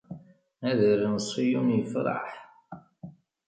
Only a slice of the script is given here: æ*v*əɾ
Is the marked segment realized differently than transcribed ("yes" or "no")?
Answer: yes